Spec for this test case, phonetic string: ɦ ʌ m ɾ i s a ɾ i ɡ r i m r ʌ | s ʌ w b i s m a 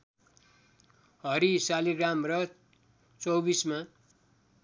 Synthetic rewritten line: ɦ ʌ ɾ i s a l i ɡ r a m r ʌ | t͡s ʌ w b i s m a